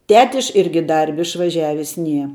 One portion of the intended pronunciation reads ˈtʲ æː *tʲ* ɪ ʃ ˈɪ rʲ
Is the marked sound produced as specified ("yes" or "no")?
yes